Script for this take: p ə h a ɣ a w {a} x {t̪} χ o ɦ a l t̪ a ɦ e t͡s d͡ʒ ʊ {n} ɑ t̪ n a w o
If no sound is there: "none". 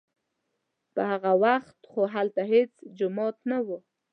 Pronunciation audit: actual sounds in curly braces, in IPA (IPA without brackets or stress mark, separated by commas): a, t̪, m